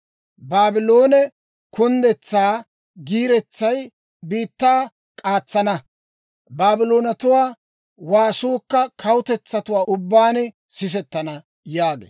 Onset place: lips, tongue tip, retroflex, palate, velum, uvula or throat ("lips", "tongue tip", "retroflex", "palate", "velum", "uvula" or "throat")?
lips